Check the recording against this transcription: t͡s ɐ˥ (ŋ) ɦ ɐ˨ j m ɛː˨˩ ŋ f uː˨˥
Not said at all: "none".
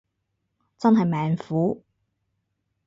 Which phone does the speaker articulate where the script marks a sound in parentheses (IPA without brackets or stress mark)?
n